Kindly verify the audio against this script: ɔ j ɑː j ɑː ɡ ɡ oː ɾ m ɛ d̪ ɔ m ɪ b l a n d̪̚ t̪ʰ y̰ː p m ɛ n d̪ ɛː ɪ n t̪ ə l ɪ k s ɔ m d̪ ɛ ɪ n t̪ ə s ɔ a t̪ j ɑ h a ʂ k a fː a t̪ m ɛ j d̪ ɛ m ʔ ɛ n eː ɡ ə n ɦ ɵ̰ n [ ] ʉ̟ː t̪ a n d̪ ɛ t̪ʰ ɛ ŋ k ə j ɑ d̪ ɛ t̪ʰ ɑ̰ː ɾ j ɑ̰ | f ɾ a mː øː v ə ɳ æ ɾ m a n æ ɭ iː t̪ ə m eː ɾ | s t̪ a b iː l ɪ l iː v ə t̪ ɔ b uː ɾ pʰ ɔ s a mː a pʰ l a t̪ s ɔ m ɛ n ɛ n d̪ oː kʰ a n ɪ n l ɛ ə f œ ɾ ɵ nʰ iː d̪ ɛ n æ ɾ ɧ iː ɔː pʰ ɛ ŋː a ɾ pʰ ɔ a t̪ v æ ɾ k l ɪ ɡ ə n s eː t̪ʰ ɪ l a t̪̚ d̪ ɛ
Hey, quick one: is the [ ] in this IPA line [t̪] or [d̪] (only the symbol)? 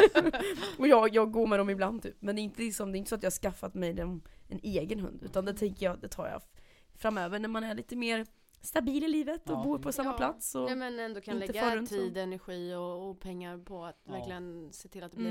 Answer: d̪